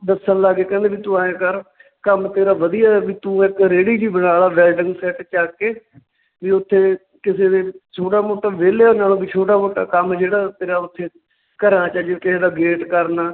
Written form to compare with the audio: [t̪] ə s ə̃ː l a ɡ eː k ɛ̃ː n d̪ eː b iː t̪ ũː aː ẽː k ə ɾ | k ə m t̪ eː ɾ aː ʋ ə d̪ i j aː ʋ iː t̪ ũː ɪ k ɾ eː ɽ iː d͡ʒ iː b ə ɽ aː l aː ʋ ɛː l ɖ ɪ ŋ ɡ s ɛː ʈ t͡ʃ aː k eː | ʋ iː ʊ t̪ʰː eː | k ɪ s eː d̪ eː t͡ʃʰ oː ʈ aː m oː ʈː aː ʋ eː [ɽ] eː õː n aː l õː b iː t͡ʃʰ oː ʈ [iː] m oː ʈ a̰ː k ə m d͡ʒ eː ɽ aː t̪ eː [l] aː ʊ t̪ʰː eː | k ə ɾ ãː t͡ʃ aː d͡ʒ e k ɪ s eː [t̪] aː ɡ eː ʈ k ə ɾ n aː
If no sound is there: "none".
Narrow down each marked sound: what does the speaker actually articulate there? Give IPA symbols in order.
d̪, l, aː, ɾ, d̪

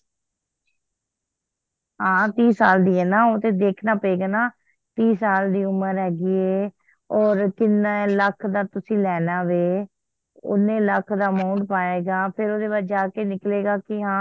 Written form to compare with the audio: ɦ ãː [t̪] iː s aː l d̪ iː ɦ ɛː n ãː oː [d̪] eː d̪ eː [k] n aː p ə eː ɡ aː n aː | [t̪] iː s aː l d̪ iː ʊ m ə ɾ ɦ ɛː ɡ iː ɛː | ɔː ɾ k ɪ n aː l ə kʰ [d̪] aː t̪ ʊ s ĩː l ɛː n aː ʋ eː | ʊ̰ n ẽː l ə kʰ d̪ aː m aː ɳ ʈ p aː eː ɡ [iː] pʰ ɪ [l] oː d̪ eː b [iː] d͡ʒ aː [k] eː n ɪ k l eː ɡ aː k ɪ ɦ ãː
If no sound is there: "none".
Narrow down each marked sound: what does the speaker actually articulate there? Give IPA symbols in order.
t̪, t̪, kʰ, t̪, d̪, aː, ɾ, aː, k

